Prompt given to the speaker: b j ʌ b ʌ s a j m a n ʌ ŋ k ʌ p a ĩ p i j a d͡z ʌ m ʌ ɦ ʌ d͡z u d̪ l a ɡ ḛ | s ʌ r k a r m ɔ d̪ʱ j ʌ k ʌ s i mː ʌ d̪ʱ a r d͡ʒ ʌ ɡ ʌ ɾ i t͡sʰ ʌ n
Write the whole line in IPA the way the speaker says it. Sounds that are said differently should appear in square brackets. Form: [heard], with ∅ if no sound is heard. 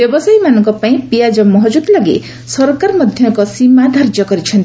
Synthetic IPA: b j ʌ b ʌ s a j m a n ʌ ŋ k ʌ p a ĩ p i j a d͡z ʌ m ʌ ɦ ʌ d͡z u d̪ l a ɡ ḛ | s ʌ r k a r m [ʌ] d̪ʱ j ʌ k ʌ s i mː [a] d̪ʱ a r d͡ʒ ʌ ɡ ʌ ɾ i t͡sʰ ʌ n